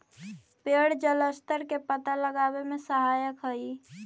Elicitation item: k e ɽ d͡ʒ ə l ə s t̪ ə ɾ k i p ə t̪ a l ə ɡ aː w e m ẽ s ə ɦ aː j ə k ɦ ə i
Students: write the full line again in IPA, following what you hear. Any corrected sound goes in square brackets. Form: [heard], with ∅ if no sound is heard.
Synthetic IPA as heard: [p] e ɽ d͡ʒ ə l ə s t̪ ə ɾ k [e] p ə t̪ a l ə ɡ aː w e m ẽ s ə ɦ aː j ə k ɦ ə i

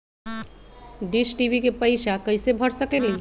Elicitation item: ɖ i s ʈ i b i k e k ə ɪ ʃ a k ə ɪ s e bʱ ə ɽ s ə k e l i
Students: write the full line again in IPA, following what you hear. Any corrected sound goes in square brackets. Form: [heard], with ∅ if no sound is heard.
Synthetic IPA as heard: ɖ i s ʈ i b i k e [p] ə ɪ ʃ a k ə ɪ s e bʱ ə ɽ s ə k e l i

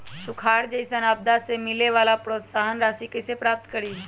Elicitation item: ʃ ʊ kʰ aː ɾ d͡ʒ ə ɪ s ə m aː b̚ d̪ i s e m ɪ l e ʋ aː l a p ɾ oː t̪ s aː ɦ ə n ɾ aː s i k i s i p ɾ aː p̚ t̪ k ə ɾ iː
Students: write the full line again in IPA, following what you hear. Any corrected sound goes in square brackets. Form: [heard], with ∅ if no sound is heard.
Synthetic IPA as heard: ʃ ʊ kʰ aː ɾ d͡ʒ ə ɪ s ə [n] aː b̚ d̪ [a] s e m ɪ l e ʋ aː l a p ɾ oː t̪ s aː ɦ ə n ɾ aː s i k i s [e] p ɾ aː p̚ t̪ k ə ɾ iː

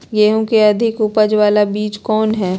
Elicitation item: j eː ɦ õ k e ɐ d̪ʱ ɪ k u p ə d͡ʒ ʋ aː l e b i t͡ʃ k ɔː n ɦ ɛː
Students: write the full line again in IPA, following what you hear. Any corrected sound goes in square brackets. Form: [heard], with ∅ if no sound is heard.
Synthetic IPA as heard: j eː ɦ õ k e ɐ d̪ʱ ɪ k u p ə d͡ʒ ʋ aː l [a] b [iː] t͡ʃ k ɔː n ɦ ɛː

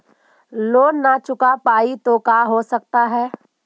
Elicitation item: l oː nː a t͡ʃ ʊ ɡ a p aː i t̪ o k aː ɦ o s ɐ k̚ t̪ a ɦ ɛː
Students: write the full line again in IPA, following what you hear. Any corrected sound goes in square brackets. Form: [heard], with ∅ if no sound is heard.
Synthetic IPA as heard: l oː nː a t͡ʃ ʊ [k] a p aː i t̪ o k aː ɦ o s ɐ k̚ t̪ a ɦ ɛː

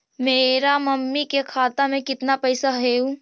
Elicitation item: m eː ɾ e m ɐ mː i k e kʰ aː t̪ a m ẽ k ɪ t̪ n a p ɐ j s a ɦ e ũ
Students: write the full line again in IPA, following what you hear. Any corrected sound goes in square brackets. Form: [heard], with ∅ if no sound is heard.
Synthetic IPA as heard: m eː ɾ [a] m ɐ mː i k e kʰ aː t̪ a m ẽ k ɪ t̪ n a p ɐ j s a ɦ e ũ

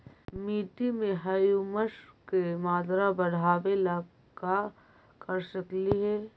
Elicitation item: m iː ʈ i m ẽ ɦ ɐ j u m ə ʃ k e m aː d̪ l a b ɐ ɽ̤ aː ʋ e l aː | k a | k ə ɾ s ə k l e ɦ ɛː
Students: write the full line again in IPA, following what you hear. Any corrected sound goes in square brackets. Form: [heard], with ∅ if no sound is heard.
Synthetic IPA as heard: m iː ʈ i m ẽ ɦ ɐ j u m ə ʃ k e m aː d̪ [ɾ] a b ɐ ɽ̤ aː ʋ e l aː | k a | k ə ɾ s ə k l [i] ɦ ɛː

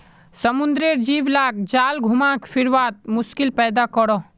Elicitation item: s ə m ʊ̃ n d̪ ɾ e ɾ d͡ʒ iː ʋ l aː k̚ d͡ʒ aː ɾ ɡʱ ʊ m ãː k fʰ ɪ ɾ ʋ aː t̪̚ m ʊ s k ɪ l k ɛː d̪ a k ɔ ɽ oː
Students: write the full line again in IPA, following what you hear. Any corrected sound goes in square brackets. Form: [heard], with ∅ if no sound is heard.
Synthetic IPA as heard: s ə m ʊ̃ n d̪ ɾ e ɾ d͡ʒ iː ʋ l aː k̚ d͡ʒ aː [l] ɡʱ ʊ m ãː k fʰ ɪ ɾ ʋ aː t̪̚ m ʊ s k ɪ l [p] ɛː d̪ a k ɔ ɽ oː

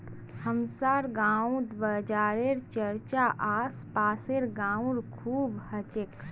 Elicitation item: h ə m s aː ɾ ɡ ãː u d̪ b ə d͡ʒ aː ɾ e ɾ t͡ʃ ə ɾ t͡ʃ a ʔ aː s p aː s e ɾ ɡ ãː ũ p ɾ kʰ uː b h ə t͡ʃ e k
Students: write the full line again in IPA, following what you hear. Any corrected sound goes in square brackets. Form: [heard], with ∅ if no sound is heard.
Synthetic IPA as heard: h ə m s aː ɾ ɡ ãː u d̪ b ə d͡ʒ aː ɾ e ɾ t͡ʃ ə ɾ t͡ʃ a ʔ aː s p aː s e ɾ ɡ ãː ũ [∅] ɾ kʰ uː b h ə t͡ʃ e k

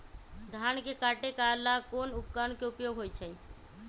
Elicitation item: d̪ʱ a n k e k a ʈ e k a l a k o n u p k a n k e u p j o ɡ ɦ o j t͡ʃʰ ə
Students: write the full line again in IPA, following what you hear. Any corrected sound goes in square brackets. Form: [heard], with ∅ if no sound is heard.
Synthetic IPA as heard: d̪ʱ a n k e k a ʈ e k a l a k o n u p k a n k e u p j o ɡ ɦ o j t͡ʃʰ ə

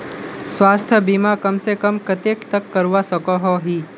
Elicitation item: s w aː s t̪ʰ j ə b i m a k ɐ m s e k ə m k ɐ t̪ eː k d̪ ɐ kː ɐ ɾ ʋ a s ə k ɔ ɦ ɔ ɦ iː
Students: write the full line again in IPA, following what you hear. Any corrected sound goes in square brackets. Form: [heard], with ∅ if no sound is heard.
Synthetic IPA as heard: s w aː s t̪ʰ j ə b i m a k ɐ m s e k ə m k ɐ t̪ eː k [t̪] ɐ kː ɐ ɾ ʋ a s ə k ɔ ɦ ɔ ɦ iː

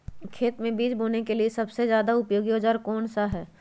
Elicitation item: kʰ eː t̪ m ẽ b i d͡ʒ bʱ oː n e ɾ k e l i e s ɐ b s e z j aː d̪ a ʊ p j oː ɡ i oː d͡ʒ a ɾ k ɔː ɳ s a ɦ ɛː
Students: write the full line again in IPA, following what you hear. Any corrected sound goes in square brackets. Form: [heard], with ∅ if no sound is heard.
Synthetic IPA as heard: kʰ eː t̪ m ẽ b [iː] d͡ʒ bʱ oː n e [∅] k e l i e s ɐ b s e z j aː d̪ a ʊ p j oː ɡ i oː d͡ʒ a ɾ k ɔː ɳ s a ɦ ɛː

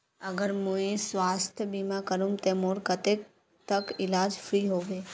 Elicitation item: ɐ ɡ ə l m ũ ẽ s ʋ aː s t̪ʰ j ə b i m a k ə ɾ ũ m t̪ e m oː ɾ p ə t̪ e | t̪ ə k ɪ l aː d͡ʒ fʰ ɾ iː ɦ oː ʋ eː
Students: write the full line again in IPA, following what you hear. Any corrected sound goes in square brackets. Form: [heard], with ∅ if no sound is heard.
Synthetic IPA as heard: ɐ ɡ ə [ɾ] m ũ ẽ s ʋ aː s t̪ʰ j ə b i m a k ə ɾ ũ m t̪ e m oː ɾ [k] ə t̪ e | t̪ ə k ɪ l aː d͡ʒ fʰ ɾ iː ɦ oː ʋ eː

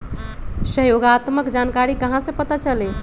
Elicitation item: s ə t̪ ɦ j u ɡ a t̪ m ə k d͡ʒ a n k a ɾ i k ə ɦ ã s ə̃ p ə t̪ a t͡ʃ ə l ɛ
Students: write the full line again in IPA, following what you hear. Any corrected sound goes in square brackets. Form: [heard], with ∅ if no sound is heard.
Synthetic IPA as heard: s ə [∅] ɦ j [o] ɡ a t̪ m ə k d͡ʒ a n k a ɾ i k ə ɦ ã s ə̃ p ə t̪ a t͡ʃ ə l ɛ

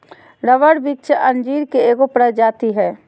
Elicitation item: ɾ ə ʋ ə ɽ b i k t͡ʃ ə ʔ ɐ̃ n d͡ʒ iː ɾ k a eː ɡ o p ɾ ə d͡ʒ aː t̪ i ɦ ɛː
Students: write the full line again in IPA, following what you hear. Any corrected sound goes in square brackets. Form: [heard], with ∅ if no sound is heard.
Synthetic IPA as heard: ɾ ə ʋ ə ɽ b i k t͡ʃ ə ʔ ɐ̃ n d͡ʒ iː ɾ k [e] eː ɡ o p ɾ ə d͡ʒ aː t̪ i ɦ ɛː

